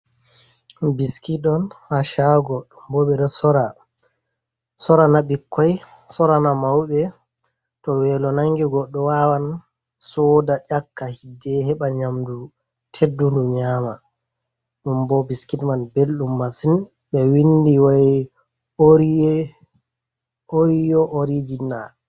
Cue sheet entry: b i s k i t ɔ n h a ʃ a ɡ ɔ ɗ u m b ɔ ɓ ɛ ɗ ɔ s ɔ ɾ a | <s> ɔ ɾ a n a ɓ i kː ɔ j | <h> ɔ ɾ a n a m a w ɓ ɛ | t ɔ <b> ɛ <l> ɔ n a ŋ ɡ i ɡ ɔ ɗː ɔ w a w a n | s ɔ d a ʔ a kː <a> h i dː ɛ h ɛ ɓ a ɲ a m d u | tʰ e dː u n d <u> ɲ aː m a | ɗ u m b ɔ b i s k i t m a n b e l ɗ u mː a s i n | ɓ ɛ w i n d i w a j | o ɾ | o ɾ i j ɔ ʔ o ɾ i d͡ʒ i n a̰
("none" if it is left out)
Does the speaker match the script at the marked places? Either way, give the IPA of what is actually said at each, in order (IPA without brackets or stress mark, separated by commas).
s, s, w, l, a, u